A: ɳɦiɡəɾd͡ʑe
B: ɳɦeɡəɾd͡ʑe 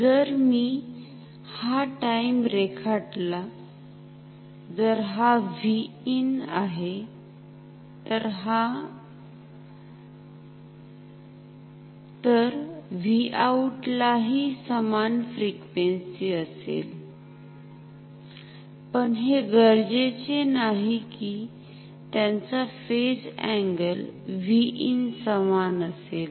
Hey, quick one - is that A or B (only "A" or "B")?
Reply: B